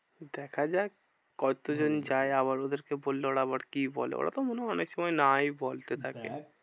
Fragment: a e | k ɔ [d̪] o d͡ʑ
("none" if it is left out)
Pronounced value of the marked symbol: t̪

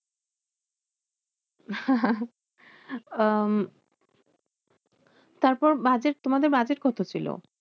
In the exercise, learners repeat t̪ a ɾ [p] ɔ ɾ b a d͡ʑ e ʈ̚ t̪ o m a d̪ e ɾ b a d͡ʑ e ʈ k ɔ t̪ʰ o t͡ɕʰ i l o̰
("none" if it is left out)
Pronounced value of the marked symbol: p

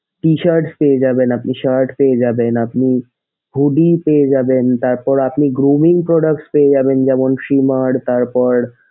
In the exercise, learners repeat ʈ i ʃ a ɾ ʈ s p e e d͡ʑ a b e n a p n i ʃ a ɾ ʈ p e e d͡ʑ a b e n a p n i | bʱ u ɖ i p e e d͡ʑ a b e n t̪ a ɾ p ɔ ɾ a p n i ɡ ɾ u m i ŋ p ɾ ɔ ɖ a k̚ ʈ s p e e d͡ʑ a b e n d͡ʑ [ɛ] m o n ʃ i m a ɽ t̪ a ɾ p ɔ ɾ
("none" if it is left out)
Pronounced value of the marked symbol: ɛ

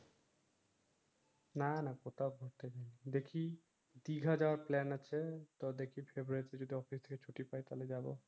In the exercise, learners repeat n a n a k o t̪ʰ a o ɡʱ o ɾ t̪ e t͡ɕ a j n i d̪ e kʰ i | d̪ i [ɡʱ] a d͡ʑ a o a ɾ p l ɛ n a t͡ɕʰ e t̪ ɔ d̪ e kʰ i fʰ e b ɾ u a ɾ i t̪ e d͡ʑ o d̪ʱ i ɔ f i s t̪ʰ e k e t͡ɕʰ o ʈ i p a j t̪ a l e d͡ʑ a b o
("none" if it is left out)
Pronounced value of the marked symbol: ɡʱ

